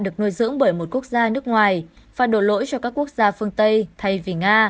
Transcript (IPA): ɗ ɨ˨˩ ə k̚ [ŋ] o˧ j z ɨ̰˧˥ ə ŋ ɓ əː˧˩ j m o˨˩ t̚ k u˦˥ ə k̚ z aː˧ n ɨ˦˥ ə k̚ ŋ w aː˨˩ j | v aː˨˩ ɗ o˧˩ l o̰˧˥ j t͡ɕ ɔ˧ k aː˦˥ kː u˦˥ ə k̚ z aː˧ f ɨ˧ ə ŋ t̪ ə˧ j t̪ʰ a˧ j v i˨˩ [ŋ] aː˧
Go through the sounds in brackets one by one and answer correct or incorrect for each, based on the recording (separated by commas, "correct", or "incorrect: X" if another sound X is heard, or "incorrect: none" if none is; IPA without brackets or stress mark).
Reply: incorrect: n, correct